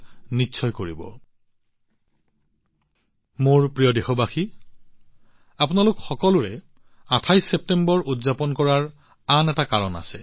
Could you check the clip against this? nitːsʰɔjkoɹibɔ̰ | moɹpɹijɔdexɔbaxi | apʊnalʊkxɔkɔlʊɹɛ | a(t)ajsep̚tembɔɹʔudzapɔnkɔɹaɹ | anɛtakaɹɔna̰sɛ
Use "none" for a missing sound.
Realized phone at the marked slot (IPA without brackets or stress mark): tʰ